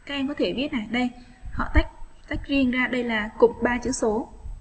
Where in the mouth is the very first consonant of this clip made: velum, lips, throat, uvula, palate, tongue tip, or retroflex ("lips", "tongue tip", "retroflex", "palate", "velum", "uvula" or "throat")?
velum